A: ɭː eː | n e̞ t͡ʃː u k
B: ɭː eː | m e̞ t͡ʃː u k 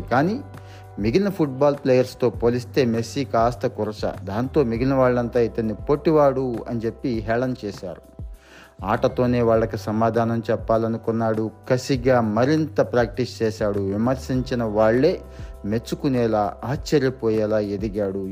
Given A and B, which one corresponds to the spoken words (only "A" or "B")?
B